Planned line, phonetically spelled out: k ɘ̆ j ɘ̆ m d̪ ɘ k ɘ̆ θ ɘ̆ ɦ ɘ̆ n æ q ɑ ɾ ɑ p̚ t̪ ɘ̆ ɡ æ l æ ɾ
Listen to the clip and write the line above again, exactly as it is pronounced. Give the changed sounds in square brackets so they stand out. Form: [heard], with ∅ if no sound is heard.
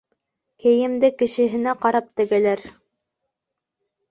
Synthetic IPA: k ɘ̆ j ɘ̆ m d̪ ɘ k ɘ̆ [ʃ] ɘ̆ ɦ ɘ̆ n æ q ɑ ɾ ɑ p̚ t̪ ɘ̆ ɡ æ l æ ɾ